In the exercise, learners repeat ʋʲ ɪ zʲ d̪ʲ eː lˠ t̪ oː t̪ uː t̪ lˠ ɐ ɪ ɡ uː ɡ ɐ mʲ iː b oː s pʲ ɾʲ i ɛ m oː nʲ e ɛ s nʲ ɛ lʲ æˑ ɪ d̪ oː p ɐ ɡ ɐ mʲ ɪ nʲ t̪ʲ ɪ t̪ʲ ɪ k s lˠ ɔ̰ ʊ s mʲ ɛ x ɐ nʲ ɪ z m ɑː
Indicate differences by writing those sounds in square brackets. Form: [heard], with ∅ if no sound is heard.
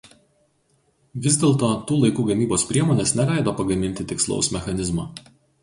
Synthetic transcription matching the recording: ʋʲ ɪ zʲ d̪ʲ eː lˠ t̪ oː t̪ uː [∅] lˠ ɐ ɪ [k] uː ɡ ɐ mʲ iː b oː s pʲ ɾʲ i ɛ m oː nʲ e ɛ s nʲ ɛ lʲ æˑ ɪ d̪ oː p ɐ ɡ ɐ mʲ ɪ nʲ t̪ʲ ɪ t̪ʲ ɪ k s lˠ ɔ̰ ʊ s mʲ ɛ x ɐ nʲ ɪ z m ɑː